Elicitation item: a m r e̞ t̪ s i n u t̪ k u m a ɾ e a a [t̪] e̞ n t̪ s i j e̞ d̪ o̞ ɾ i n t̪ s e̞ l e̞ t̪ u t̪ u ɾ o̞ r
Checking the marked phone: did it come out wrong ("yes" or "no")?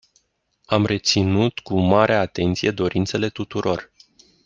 no